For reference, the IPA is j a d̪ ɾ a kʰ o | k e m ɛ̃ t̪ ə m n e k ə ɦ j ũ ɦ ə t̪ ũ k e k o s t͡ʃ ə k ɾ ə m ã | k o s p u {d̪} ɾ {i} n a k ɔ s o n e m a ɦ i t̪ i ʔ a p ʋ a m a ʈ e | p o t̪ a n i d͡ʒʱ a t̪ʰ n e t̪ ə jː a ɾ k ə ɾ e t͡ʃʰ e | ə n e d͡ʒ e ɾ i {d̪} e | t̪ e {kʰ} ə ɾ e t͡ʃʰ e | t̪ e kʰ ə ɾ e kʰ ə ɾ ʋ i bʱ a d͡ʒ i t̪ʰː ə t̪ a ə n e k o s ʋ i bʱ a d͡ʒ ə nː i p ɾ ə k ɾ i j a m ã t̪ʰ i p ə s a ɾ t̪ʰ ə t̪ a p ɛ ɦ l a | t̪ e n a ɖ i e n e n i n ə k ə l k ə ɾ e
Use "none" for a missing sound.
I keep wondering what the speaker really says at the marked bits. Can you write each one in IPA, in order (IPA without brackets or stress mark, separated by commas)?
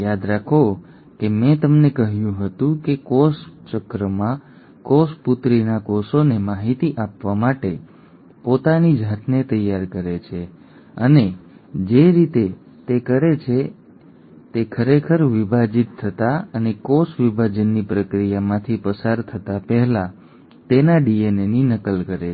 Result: t̪, i, t̪, k